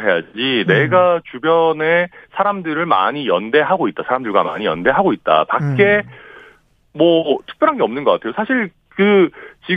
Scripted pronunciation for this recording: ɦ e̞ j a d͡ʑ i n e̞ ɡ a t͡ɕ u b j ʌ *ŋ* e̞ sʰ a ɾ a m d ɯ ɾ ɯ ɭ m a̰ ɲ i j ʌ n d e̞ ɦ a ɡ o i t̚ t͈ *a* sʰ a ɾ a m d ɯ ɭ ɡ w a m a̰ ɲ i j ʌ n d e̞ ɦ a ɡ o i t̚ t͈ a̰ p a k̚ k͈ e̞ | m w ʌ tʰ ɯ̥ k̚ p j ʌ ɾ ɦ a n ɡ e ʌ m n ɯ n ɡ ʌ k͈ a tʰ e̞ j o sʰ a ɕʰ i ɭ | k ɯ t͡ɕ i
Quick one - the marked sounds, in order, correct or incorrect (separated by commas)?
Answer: incorrect, correct